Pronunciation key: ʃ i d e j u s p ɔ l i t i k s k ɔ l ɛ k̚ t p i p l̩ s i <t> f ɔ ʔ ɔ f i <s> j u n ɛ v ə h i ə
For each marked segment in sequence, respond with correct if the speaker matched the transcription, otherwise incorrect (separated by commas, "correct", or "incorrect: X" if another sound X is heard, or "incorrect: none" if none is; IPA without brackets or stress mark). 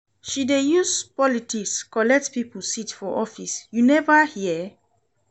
correct, correct